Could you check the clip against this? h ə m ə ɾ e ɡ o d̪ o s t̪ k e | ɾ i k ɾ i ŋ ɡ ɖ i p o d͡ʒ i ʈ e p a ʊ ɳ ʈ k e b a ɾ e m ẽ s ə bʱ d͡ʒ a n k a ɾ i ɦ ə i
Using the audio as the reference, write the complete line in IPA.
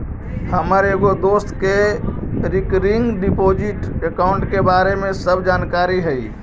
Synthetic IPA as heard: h ə m ə ɾ e ɡ o d̪ o s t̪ k e | ɾ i k ɾ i ŋ ɡ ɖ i p o d͡ʒ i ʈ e k a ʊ ɳ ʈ k e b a ɾ e m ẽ s ə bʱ d͡ʒ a n k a ɾ i ɦ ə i